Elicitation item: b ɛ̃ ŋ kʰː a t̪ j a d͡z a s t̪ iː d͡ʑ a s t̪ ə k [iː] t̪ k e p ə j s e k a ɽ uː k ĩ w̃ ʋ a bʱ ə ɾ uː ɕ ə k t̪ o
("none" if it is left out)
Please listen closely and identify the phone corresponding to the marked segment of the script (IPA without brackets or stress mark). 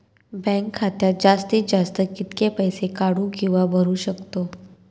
i